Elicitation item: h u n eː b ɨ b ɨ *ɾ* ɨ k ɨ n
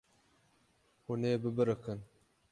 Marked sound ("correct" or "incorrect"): correct